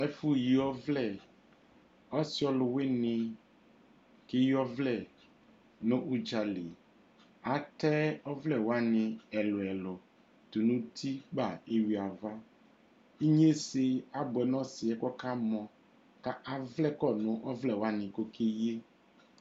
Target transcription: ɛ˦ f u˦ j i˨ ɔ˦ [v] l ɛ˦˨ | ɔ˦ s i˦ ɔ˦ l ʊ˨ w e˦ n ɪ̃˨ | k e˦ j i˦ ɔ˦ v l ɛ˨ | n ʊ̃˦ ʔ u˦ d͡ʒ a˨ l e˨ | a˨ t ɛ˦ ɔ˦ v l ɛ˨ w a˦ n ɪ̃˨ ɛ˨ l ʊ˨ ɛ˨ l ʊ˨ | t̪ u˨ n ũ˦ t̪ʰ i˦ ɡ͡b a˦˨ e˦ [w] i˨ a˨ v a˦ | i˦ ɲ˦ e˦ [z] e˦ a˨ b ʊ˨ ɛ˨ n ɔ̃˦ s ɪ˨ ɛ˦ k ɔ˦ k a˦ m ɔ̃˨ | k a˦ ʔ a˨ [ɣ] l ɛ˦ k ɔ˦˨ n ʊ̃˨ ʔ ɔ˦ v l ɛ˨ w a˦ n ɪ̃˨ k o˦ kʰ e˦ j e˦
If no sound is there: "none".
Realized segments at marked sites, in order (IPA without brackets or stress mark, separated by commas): v, w, s, v